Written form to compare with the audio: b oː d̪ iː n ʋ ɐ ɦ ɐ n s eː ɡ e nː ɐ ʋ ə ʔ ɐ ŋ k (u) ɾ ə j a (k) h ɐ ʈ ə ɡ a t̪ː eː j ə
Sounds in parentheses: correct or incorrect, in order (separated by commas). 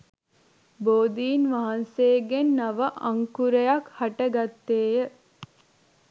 correct, correct